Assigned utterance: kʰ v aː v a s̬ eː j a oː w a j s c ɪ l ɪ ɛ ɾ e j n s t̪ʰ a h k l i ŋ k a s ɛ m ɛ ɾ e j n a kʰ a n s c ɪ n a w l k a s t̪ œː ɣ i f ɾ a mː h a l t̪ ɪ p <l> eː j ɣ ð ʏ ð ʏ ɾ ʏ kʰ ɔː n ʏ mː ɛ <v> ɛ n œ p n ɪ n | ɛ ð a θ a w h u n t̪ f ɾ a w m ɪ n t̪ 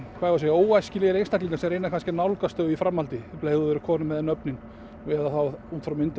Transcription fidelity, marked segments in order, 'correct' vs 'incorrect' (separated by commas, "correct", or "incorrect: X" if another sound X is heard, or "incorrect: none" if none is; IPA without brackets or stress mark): correct, incorrect: ð